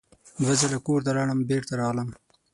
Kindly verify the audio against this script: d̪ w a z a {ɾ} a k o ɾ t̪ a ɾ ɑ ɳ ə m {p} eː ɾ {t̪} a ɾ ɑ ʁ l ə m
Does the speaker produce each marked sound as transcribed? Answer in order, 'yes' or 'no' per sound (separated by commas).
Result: no, no, yes